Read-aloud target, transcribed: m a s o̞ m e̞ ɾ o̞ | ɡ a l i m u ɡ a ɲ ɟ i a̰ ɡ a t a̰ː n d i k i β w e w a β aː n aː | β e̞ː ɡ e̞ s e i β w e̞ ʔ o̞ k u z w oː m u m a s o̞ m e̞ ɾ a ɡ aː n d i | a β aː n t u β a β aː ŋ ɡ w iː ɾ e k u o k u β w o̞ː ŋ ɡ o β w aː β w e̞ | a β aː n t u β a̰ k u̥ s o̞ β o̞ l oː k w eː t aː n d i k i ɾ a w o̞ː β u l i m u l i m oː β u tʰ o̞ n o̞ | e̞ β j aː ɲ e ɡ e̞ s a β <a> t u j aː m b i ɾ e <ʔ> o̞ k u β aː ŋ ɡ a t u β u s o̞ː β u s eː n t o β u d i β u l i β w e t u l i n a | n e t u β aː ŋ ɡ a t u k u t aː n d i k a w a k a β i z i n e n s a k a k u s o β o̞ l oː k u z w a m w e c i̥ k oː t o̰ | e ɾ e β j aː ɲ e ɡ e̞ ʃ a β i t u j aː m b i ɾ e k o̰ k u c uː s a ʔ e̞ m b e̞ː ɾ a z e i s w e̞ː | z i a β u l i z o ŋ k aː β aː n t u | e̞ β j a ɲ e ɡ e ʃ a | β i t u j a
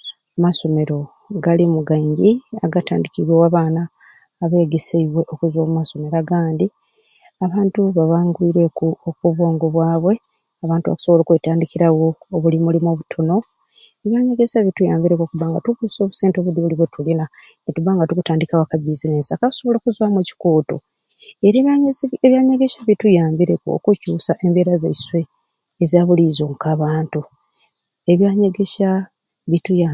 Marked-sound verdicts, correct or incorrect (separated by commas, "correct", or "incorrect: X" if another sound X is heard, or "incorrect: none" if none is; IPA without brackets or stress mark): incorrect: i, incorrect: k